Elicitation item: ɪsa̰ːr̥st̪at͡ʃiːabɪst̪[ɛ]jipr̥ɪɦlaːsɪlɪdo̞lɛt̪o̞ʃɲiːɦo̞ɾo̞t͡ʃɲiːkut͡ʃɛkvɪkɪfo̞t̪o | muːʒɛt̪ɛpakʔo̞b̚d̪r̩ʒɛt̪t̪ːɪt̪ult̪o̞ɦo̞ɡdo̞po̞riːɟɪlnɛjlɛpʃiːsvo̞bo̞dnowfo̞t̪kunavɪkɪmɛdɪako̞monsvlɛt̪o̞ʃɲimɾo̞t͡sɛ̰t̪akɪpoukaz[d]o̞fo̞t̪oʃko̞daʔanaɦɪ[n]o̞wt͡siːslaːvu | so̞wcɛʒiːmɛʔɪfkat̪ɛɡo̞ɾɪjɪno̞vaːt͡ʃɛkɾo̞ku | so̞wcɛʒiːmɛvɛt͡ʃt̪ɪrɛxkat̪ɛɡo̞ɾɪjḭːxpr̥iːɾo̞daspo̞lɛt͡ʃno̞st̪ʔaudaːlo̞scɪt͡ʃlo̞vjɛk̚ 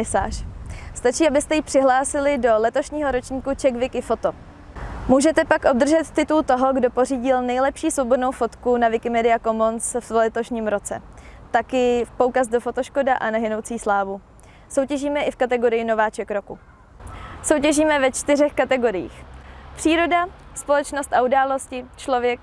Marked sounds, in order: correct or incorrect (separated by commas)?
correct, correct, correct